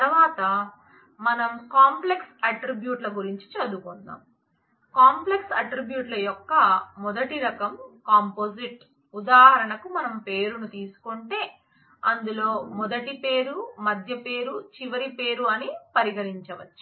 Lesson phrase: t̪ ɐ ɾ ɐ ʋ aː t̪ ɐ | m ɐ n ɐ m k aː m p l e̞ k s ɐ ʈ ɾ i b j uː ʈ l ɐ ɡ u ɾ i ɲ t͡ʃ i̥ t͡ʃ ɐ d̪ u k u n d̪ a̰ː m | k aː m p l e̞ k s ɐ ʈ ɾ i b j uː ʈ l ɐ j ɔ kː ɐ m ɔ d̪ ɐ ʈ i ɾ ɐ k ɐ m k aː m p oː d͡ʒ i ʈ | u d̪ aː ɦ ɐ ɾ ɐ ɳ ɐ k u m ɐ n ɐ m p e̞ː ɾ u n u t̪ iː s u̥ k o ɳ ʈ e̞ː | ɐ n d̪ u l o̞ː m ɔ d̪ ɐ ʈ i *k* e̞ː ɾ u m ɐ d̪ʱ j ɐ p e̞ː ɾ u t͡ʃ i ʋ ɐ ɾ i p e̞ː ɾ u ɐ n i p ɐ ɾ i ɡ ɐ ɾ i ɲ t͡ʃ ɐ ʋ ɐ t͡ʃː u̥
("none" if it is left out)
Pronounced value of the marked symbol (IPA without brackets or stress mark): p